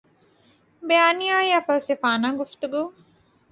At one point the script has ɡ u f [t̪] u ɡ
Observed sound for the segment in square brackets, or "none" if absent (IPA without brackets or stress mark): t̪